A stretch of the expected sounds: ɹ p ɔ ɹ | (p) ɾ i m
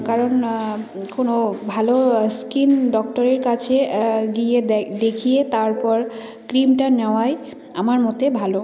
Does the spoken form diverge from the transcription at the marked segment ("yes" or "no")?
yes